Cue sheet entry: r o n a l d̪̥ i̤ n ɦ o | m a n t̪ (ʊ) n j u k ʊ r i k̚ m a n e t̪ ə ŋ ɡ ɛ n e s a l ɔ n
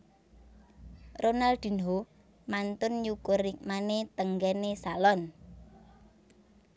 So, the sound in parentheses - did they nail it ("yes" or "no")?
yes